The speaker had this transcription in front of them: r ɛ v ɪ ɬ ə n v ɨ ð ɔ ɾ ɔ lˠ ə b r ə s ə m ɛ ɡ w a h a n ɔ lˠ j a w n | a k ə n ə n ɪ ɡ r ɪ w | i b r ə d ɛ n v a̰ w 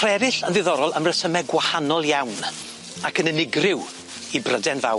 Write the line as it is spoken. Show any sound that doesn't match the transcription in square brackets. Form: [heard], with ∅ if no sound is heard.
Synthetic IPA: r ɛ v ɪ ɬ ə n [ð] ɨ ð ɔ ɾ ɔ lˠ ə [m] r ə s ə m ɛ ɡ w a h a n ɔ lˠ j a w n | a k ə n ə n ɪ ɡ r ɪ w | i b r ə d ɛ n v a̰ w